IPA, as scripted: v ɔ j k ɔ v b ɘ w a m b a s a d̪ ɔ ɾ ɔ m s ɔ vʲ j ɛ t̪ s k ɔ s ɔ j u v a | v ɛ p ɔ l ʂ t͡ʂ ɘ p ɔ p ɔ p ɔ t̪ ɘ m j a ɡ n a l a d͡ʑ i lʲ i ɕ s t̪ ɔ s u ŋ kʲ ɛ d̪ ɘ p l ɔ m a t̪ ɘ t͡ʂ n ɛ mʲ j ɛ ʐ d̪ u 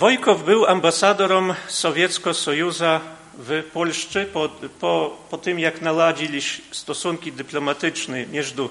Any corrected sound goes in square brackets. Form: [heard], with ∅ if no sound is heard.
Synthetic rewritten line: v ɔ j k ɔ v b ɘ w a m b a s a d̪ ɔ ɾ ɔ m s ɔ vʲ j ɛ t̪ s k ɔ s ɔ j u [z] a | v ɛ p ɔ l ʂ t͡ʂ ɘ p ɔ p ɔ p ɔ t̪ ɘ m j a [k] n a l a d͡ʑ i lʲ i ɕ s t̪ ɔ s u ŋ kʲ [i] d̪ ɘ p l ɔ m a t̪ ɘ t͡ʂ n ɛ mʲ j ɛ ʐ d̪ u